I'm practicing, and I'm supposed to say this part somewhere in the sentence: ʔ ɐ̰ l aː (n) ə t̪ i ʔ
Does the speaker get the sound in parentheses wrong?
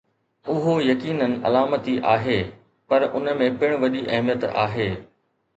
yes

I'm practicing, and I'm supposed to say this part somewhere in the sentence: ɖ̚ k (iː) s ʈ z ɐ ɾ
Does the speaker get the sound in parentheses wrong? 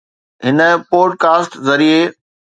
yes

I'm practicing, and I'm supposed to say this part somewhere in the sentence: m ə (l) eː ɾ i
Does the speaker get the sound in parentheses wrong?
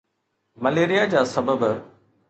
no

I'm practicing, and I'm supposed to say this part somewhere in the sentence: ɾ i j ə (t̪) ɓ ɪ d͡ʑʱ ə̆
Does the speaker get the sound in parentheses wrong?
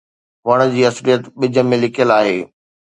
no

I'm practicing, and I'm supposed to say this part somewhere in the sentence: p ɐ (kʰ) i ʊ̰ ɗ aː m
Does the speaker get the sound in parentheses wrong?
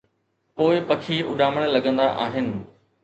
no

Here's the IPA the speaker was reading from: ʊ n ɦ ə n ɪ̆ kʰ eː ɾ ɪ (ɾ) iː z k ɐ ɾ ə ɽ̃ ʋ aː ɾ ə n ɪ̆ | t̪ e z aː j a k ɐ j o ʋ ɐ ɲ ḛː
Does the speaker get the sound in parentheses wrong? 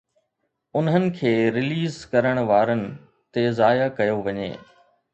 yes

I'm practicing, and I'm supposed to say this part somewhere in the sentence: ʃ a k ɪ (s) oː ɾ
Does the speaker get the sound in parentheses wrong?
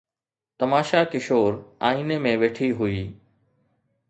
yes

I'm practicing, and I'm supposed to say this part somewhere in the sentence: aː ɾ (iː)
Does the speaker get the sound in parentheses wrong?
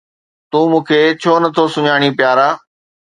yes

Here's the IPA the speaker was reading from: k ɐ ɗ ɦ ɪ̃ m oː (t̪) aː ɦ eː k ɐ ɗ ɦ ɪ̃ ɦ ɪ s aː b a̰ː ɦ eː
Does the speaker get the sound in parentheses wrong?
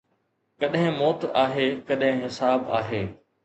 no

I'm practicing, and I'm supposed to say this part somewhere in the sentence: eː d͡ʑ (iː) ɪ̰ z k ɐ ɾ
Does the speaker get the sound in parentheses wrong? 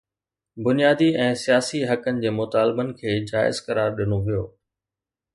yes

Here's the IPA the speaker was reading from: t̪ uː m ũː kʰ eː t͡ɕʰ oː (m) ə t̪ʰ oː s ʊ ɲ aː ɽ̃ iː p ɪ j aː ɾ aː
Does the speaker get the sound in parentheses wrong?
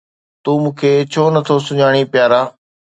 yes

